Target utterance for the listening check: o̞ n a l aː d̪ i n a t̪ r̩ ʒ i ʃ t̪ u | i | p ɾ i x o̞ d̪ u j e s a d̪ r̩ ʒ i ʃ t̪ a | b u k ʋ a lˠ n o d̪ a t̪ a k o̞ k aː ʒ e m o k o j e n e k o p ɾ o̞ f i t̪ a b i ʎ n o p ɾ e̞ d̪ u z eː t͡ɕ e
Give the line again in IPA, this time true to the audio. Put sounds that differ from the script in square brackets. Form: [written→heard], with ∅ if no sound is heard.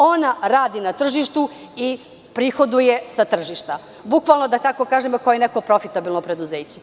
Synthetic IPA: o̞ n a [l→ɾ] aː d̪ i n a t̪ r̩ ʒ i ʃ t̪ u | i | p ɾ i x o̞ d̪ u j e s a [d̪→t̪] r̩ ʒ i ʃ t̪ a | b u k ʋ a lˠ n o d̪ a t̪ a k o̞ k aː ʒ e m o k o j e n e k o p ɾ o̞ f i t̪ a b i [ʎ→l] n o p ɾ e̞ d̪ u z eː t͡ɕ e

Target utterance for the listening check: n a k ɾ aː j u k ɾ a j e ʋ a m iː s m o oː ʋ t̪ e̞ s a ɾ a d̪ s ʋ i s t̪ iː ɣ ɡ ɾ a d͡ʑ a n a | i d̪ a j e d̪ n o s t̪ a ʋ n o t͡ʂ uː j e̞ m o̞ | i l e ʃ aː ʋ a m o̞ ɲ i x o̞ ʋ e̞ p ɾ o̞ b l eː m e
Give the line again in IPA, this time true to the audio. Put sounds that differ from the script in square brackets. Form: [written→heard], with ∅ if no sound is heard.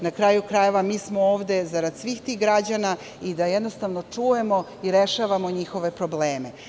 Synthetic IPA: n a k ɾ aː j u k ɾ a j e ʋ a m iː s m o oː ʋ [t̪→d̪] e̞ [s→z] a ɾ a d̪ s ʋ i [s→x] t̪ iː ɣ ɡ ɾ a d͡ʑ a n a | i d̪ a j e d̪ n o s t̪ a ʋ n o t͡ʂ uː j e̞ m o̞ | i [l→ɾ] e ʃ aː ʋ a m o̞ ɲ i x o̞ ʋ e̞ p ɾ o̞ b l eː m e

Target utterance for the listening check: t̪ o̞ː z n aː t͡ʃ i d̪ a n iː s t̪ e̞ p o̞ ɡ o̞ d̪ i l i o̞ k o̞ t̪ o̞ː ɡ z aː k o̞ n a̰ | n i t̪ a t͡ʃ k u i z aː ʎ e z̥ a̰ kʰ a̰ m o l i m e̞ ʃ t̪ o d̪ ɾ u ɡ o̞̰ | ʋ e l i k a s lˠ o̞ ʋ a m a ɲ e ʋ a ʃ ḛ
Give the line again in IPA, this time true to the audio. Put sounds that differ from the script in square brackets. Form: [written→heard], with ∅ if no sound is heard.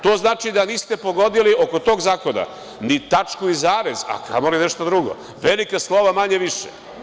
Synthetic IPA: t̪ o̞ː z n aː t͡ʃ i d̪ a n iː s t̪ e̞ p o̞ ɡ o̞ d̪ i l i o̞ k o̞ t̪ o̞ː ɡ z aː k o̞ n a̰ | n i t̪ a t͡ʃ k u i z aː [ʎ→ɾ] e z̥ a̰ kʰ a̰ m o l i [m→n] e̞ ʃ t̪ o d̪ ɾ u ɡ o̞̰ | ʋ e l i k a s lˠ o̞ ʋ a m a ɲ e ʋ [a→i] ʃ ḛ

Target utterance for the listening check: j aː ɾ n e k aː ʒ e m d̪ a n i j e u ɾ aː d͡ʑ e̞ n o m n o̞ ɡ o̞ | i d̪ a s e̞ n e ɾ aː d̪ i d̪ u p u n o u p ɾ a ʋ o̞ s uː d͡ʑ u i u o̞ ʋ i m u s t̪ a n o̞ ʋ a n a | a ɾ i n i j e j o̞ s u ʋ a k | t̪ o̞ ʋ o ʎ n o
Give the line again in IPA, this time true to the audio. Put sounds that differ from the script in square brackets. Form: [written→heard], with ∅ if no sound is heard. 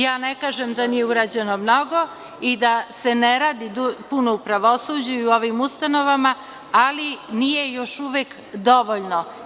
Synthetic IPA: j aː [ɾ→∅] n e k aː ʒ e m d̪ a n i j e u ɾ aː d͡ʑ e̞ n o m n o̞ ɡ o̞ | i d̪ a s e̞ n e ɾ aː d̪ i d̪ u p u n o u p ɾ a ʋ o̞ s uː d͡ʑ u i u o̞ ʋ i m u s t̪ a n o̞ ʋ a [n→m] a | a [ɾ→l] i n i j e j o̞ [s→ʃ] u ʋ [a→e] k | [t̪→d̪] o̞ ʋ o ʎ n o

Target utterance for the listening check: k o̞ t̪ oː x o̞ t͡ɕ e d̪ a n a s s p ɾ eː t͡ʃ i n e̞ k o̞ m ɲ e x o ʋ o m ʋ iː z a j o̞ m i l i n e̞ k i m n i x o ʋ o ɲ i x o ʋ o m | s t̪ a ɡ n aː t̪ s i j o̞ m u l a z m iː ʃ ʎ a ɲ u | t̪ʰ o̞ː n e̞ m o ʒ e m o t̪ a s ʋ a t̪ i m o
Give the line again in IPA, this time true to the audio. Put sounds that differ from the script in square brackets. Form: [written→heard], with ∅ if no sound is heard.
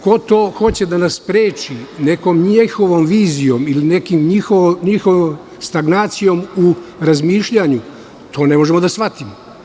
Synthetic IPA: k o̞ t̪ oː x o̞ t͡ɕ e d̪ a n a s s p ɾ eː t͡ʃ i n e̞ k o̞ m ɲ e x o ʋ o m ʋ iː z [a→i] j o̞ m i l i n e̞ k i m [n→ɲ] i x o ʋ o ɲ i x o ʋ o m | s t̪ a ɡ n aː t̪ s i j o̞ m u [l→ɾ] a z m iː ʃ ʎ a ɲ u | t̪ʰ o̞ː n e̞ m o ʒ e m o [t̪→d̪] a s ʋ a t̪ i m o

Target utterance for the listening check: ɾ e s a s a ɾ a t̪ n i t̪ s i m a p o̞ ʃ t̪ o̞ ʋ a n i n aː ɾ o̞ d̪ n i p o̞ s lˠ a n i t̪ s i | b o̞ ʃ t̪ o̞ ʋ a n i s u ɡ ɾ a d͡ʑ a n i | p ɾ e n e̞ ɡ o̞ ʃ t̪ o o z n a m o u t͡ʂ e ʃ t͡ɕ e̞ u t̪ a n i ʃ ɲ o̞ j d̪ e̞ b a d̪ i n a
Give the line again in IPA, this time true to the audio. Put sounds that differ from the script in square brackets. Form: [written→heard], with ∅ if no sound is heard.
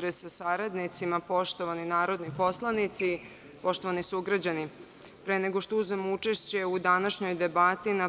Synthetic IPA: ɾ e s a s a ɾ a [t̪→d̪] n i t̪ s i m a p o̞ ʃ t̪ o̞ ʋ a n i n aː ɾ o̞ d̪ n i p o̞ s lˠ a n i t̪ s i | [b→p] o̞ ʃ t̪ o̞ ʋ a n i s u ɡ ɾ a d͡ʑ a n i | p ɾ e n e̞ ɡ o̞ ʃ t̪ o [o→u] z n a m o u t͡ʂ e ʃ t͡ɕ e̞ u [t̪→d̪] a n [i→a] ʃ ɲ o̞ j d̪ e̞ b a [d̪→t̪] i n a

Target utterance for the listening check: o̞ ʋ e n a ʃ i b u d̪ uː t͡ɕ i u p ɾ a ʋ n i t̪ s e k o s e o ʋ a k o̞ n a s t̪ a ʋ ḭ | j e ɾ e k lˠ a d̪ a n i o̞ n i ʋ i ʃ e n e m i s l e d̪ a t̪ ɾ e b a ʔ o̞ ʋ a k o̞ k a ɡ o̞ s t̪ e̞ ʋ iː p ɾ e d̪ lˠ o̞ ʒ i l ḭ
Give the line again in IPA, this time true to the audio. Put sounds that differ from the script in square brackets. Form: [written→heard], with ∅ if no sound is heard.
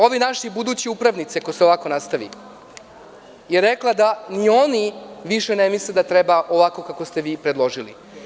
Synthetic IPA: o̞ ʋ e n a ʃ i b u d̪ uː t͡ɕ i u p ɾ a ʋ n i t̪ s e k o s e o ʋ a k o̞ n a s t̪ a ʋ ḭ | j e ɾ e k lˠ a d̪ a n i o̞ n i ʋ i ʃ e n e m i s l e d̪ a t̪ ɾ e b a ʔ o̞ ʋ a k o̞ k a [ɡ→k] o̞ s t̪ e̞ ʋ iː p ɾ e d̪ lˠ o̞ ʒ i l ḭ

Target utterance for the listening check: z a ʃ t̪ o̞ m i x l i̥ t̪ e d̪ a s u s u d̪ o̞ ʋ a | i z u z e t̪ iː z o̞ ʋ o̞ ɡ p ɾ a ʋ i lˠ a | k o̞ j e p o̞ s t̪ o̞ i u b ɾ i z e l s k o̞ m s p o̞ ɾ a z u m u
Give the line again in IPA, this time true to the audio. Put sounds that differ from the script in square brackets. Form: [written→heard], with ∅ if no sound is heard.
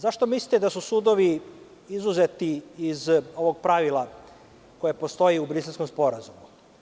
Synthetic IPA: z a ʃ t̪ o̞ m i [x→s] l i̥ t̪ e d̪ a s u s u d̪ o̞ ʋ [a→i] | i z u z e t̪ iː z o̞ ʋ o̞ ɡ p ɾ a ʋ i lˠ a | k o̞ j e p o̞ s t̪ o̞ i u b ɾ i [z→s] e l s k o̞ m s p o̞ ɾ a z u m u

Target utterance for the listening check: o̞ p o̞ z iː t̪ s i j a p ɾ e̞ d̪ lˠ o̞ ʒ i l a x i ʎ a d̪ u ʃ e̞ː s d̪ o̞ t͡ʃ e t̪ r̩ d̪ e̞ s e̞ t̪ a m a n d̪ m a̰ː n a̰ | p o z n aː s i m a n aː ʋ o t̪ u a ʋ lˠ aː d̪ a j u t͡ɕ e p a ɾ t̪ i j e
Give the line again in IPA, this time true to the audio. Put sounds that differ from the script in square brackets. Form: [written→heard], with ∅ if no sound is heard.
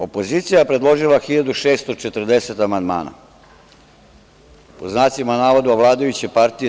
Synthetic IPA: o̞ p o̞ z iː t̪ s i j a p ɾ e̞ d̪ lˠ o̞ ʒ i l a x i ʎ a d̪ u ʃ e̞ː s [d̪→t̪] o̞ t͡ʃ e t̪ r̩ d̪ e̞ s e̞ t̪ a m a n d̪ m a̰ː n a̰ | p o z n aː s i m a n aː ʋ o [t̪→d̪] u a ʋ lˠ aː d̪ a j u t͡ɕ e p a ɾ t̪ i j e

